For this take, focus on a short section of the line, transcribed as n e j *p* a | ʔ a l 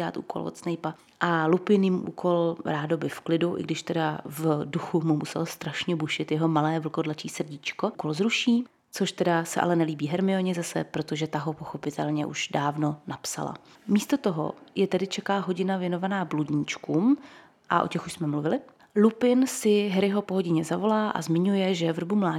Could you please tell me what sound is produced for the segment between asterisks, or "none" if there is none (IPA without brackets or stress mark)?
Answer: p